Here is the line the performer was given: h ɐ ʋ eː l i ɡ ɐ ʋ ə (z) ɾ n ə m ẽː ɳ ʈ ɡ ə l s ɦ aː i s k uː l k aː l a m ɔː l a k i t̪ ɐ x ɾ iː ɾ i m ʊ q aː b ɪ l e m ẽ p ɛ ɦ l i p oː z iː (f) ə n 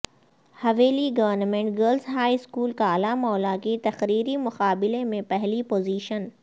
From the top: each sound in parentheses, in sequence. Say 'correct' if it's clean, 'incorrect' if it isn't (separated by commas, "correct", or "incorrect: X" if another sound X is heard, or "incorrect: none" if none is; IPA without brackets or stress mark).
incorrect: none, incorrect: ʃ